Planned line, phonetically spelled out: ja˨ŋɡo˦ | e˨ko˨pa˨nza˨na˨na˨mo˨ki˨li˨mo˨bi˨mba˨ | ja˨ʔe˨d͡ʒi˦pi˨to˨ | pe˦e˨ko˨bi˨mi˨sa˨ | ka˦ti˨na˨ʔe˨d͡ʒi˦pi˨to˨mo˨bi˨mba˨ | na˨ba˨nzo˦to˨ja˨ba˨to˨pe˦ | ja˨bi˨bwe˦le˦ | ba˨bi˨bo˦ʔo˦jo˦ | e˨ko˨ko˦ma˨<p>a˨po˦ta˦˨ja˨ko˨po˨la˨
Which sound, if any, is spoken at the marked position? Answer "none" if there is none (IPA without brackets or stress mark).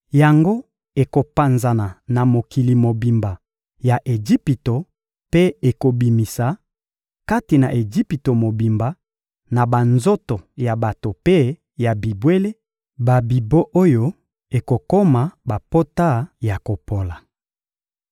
b